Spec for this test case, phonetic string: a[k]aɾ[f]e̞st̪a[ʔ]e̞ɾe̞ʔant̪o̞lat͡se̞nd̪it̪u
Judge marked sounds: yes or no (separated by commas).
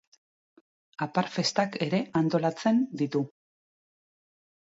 no, yes, no